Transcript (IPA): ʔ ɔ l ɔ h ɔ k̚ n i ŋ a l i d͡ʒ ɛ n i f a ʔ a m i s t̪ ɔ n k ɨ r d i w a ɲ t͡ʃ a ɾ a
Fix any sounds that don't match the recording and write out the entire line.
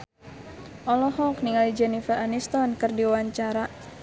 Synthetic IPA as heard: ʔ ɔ l ɔ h ɔ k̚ n i ŋ a l i d͡ʒ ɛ n i f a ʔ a n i s t̪ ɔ n k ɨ r d i w a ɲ t͡ʃ a ɾ a